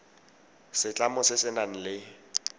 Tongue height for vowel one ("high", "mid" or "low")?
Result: high